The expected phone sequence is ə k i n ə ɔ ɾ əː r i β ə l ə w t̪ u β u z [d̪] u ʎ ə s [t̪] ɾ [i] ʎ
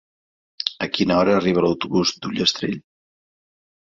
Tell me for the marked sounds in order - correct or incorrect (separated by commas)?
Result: correct, correct, incorrect